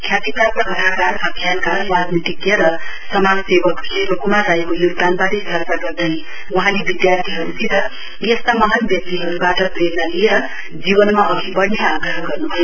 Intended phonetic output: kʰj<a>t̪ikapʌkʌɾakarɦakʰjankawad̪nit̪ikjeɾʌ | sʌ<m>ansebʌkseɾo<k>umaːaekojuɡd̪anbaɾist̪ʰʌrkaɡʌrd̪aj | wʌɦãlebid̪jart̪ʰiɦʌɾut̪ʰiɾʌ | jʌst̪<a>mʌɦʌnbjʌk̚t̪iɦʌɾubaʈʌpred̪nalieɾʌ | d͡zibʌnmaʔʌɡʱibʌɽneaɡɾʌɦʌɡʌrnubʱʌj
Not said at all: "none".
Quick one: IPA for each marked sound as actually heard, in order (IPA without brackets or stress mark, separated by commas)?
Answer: a, m, k, a